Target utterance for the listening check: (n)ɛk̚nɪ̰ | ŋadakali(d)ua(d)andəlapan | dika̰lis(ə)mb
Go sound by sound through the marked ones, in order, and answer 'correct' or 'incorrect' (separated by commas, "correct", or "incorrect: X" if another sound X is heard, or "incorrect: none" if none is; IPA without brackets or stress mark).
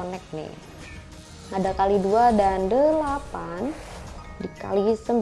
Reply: correct, correct, correct, correct